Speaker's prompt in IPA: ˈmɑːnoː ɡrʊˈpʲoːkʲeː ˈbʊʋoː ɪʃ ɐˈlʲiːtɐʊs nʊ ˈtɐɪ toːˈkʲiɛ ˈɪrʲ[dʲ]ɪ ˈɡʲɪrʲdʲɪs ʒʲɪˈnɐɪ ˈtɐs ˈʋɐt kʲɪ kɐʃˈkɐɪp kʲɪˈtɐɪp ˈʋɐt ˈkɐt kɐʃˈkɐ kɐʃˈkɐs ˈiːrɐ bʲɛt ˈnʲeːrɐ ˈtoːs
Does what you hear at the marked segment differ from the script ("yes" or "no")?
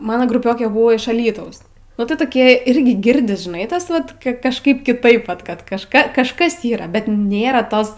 yes